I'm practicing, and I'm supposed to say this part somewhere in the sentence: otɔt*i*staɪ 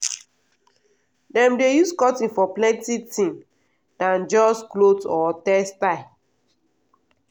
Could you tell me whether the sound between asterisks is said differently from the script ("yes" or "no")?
yes